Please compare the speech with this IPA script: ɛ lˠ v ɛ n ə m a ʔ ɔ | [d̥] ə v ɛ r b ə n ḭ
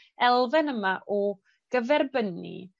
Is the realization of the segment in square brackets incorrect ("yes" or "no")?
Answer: yes